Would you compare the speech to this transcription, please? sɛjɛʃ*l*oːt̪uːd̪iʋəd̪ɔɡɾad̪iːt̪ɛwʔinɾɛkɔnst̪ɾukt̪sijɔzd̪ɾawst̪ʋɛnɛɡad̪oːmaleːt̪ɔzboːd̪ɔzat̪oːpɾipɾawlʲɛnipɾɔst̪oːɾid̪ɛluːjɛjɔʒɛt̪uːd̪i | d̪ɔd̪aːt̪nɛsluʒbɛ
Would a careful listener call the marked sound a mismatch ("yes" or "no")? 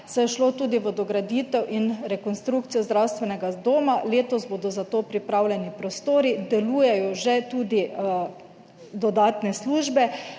no